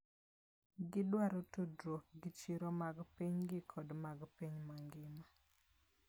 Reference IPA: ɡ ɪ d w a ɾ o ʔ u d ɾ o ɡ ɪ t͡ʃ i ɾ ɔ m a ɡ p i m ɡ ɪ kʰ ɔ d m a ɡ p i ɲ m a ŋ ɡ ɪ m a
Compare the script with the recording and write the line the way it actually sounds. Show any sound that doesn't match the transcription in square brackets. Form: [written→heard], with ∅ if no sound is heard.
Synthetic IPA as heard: ɡ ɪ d w a ɾ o [ʔ→t] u d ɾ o ɡ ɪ t͡ʃ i ɾ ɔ m a ɡ p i [m→ɲ] ɡ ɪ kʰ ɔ d m a ɡ p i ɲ m a ŋ ɡ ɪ m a

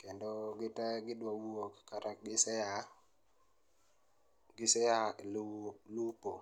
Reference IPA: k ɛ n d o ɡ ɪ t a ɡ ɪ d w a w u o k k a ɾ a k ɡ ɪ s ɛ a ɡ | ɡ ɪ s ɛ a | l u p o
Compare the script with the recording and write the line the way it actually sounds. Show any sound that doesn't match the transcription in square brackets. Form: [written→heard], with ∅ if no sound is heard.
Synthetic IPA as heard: k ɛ n d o ɡ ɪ t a ɡ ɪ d w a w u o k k a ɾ a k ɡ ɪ s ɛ a [ɡ→∅] | ɡ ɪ s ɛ a | l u p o

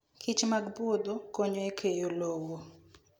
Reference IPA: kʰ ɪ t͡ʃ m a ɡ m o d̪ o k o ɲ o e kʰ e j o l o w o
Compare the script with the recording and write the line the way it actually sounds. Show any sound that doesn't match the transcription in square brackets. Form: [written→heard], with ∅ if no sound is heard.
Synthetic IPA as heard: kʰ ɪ t͡ʃ m a ɡ [m→b] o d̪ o k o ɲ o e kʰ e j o l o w o

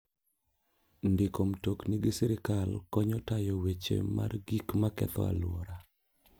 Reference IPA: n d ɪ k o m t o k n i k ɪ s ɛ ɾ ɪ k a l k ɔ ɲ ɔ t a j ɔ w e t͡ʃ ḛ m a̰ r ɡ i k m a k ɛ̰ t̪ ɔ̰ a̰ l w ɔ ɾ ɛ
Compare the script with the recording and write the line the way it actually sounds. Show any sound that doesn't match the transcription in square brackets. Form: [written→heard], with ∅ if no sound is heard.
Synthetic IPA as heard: n d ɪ k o m t o k n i [k→ɡ] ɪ s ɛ ɾ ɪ k a l k ɔ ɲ ɔ t a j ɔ w e t͡ʃ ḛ m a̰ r ɡ i k m a k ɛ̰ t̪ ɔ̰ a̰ l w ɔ ɾ [ɛ→a]

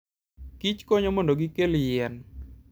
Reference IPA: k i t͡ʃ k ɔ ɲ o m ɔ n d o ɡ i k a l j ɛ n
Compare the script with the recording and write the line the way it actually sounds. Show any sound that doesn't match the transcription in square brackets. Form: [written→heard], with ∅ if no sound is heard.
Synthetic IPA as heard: k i t͡ʃ k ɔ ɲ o m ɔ n d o ɡ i k [a→e] l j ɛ n

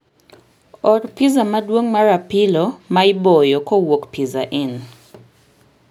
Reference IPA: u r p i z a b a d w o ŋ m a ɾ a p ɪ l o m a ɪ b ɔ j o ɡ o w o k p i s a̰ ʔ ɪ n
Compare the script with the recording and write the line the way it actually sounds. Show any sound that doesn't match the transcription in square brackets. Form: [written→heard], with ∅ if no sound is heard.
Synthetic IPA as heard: [u→ɔ] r p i z a [b→m] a d w o ŋ m a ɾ a p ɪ l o m a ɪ b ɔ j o [ɡ→k] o w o k p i [s→z] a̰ ʔ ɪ n

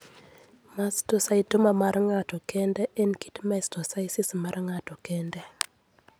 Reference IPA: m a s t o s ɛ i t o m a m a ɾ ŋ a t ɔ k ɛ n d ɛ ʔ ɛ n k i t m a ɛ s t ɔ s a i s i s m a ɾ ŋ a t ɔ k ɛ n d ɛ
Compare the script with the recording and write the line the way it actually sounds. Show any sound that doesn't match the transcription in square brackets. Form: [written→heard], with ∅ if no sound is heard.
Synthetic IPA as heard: m a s t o s [ɛ→a] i t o m a m a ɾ ŋ a t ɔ k ɛ n d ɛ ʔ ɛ n k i t m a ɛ s t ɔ s a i s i s m a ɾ ŋ a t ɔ k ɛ n d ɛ

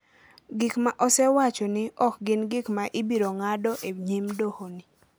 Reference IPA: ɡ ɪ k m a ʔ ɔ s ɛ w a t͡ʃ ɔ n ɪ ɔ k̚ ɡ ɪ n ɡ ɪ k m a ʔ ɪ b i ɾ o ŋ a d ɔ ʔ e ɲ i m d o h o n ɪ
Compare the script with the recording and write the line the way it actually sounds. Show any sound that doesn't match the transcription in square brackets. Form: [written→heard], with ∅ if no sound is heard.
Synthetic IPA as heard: ɡ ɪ k m a ʔ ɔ s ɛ w a t͡ʃ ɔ n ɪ ɔ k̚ ɡ ɪ n ɡ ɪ k m a ʔ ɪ b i ɾ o ŋ a d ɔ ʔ e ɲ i m d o h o n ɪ

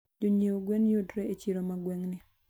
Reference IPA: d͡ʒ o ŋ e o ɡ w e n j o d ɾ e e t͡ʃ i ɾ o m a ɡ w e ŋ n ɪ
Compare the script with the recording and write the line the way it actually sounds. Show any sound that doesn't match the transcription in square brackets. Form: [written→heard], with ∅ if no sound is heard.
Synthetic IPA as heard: d͡ʒ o [ŋ→ɲ] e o ɡ w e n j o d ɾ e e t͡ʃ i ɾ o m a ɡ w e ŋ n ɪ

